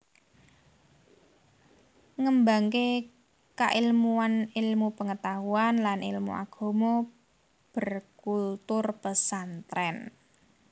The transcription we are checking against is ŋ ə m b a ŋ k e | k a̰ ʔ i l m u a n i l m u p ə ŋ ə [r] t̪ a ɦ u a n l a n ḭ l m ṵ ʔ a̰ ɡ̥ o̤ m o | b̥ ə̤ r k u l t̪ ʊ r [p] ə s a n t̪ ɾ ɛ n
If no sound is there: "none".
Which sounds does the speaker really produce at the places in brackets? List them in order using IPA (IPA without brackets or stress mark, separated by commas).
none, p